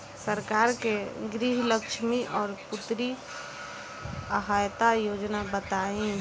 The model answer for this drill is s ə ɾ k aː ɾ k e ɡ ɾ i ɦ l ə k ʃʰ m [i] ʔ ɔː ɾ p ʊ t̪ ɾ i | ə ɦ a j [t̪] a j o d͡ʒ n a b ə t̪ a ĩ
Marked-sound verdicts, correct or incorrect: correct, correct

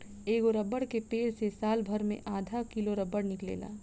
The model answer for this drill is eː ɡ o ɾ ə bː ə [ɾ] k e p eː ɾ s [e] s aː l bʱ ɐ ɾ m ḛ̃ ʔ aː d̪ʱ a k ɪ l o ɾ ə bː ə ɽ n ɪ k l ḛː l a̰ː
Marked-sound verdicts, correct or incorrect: incorrect: ɽ, correct

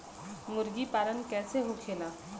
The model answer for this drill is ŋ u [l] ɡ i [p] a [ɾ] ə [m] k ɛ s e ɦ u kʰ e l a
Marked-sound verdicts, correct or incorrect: incorrect: ɾ, correct, correct, incorrect: n

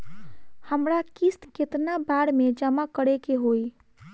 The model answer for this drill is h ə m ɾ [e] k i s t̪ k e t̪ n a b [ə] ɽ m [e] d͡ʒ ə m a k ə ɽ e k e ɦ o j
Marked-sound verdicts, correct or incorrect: incorrect: a, incorrect: a, correct

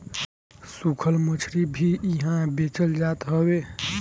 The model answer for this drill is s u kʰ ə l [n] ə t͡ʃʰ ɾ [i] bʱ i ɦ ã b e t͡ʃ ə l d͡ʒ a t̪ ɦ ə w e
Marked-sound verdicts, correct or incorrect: incorrect: m, correct

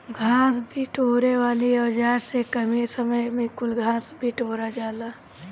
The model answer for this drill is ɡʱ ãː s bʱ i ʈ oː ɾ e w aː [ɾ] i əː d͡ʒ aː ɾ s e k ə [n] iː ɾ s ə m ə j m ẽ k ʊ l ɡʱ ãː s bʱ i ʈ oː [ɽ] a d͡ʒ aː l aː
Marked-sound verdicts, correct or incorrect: incorrect: l, incorrect: m, incorrect: ɾ

